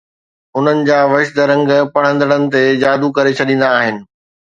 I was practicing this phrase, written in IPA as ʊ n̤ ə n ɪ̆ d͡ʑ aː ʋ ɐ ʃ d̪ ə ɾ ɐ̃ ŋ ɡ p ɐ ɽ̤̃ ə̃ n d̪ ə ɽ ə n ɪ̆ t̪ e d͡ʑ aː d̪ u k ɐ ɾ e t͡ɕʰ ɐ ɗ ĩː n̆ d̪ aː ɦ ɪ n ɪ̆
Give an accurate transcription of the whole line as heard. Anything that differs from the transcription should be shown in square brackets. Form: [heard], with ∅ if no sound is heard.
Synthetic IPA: ʊ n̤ ə n ɪ̆ d͡ʑ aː ʋ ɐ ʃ d̪ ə ɾ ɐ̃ ŋ ɡ p ɐ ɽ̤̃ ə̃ n d̪ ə ɽ ə n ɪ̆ t̪ e d͡ʑ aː d̪ u k ɐ ɾ e t͡ɕʰ ɐ ɗ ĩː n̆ d̪ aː ɦ ɪ n ɪ̆